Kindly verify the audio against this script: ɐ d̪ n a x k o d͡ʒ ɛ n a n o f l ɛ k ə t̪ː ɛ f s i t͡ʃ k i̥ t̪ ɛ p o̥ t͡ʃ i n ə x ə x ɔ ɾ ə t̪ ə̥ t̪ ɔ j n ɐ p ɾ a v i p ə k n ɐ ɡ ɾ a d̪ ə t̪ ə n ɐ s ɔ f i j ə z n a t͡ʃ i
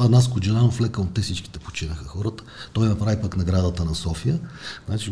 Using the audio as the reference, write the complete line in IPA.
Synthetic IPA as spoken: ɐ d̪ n a s k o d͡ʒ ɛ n a n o f l ɛ k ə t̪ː ɛ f s i t͡ʃ k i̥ t̪ ɛ p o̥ t͡ʃ i n ə x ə x ɔ ɾ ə t̪ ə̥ t̪ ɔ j n ɐ p ɾ a v i p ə k n ɐ ɡ ɾ a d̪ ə t̪ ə n ɐ s ɔ f i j ə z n a t͡ʃ i